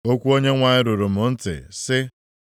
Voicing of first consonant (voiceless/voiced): voiceless